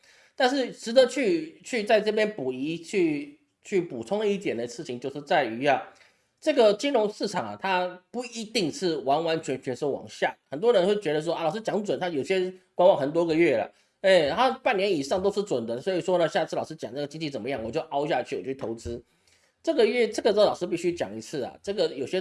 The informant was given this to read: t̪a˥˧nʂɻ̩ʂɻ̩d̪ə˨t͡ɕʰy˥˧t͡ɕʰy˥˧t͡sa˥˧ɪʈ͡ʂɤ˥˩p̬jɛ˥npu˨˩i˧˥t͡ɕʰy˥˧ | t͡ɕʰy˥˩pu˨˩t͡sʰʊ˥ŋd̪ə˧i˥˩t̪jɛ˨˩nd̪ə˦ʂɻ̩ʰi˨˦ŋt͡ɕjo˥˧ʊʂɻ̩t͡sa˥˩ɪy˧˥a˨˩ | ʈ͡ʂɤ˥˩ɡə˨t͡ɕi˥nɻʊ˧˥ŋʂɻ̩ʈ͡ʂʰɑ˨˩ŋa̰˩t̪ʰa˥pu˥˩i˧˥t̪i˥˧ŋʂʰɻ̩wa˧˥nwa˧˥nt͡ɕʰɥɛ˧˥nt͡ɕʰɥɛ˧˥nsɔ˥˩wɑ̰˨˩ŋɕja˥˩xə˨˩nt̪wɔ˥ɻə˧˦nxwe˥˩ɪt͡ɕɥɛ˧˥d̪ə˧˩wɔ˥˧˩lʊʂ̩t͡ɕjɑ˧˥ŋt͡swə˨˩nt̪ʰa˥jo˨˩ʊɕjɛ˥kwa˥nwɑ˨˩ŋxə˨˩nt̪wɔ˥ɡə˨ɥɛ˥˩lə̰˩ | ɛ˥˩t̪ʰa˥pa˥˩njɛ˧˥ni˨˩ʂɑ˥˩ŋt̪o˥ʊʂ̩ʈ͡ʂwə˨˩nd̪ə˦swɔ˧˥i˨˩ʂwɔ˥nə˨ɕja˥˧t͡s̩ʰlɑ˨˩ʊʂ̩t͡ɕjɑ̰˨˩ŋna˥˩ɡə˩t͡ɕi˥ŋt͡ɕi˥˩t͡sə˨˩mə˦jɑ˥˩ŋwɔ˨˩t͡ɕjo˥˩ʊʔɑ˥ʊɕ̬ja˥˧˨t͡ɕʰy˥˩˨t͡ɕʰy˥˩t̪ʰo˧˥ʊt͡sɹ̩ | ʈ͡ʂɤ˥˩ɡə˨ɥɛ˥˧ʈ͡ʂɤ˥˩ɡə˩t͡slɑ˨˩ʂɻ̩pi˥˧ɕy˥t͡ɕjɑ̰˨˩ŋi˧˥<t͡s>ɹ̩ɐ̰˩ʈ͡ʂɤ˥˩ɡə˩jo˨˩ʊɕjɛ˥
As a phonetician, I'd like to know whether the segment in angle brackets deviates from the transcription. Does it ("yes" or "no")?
yes